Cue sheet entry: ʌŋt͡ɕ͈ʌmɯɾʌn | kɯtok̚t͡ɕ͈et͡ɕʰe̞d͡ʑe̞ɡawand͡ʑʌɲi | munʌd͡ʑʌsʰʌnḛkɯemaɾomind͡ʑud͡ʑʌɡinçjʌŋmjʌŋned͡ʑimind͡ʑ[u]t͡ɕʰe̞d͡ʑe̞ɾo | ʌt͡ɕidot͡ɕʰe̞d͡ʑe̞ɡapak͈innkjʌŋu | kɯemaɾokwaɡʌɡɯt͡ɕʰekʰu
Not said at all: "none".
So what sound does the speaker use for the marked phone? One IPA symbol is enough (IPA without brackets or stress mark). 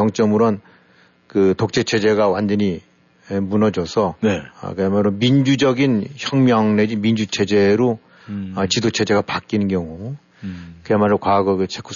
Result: u